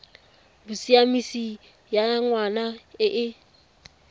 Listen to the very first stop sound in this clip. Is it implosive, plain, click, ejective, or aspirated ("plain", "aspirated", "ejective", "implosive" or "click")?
plain